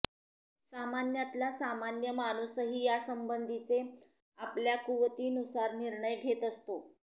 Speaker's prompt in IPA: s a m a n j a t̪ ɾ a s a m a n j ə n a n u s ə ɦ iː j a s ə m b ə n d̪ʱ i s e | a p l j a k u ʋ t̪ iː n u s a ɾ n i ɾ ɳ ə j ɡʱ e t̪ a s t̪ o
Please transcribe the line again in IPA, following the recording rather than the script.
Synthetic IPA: s a m a n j a t̪ l a s a m a n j ə m a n u s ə ɦ iː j a s ə m b ə n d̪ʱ i t͡s e | a p l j a k u ʋ t̪ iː n u s a ɾ n i ɾ ɳ ə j ɡʱ e t̪ ə s t̪ o